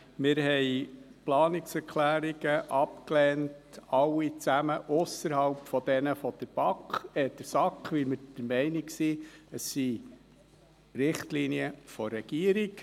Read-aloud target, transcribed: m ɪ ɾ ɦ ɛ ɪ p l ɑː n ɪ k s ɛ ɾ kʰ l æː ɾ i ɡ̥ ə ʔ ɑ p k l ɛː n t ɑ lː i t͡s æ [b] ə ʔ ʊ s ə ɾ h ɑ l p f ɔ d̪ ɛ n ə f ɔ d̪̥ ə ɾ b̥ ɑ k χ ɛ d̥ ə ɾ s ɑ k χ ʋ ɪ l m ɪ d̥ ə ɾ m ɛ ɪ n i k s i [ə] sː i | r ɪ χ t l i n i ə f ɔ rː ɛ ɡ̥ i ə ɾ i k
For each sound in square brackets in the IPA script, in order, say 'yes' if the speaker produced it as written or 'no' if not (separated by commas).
no, yes